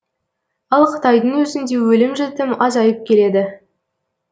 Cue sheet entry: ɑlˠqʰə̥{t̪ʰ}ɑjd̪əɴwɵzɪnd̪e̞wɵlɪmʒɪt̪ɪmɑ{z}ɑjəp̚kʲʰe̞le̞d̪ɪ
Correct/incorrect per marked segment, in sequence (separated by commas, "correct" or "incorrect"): incorrect, correct